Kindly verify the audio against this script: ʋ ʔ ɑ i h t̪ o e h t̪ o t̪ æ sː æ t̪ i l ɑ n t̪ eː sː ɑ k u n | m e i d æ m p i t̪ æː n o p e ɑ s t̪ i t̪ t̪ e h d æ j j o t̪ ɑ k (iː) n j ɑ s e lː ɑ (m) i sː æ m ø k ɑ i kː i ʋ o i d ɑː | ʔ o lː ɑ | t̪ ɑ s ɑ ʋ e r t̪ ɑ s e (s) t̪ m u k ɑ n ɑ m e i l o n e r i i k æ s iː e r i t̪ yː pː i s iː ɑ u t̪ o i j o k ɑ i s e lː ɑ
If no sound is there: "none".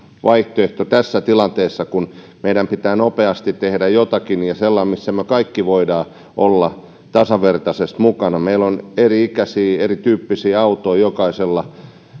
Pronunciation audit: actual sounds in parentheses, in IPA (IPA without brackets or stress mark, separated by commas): i, m, s